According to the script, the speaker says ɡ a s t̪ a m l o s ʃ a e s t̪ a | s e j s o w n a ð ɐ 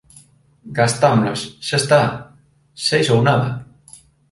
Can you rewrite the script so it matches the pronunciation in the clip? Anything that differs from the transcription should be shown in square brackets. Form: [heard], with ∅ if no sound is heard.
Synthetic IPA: ɡ a s t̪ a m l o s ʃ a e s t̪ a | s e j s o w n a ð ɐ